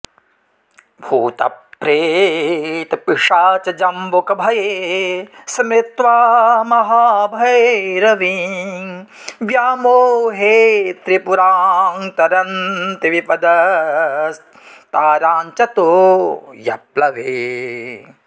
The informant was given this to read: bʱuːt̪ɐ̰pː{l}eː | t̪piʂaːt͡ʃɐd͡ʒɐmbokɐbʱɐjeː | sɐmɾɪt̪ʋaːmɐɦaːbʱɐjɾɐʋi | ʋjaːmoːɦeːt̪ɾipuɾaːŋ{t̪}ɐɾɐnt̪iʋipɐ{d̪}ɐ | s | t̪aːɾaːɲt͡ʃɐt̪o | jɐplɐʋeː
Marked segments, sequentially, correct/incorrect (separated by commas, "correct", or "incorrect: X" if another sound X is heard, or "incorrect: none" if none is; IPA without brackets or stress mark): incorrect: ɾ, correct, correct